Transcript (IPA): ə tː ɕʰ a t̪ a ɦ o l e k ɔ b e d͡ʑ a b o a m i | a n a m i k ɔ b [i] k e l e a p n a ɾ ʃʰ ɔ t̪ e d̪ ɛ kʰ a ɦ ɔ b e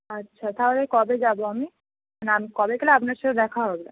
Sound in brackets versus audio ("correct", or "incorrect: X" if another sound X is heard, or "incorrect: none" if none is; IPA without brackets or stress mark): incorrect: e